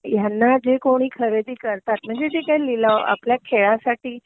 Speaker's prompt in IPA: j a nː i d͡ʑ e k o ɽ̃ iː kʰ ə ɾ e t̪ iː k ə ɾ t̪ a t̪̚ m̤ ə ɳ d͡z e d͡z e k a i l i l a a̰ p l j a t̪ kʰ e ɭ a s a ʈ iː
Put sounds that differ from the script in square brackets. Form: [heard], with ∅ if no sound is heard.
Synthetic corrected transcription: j a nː [a] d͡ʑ e k o ɽ̃ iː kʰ ə ɾ e [d̪] iː k ə ɾ t̪ a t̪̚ m̤ ə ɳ d͡z e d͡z e k a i l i l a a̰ p l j a [∅] kʰ e ɭ a s a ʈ iː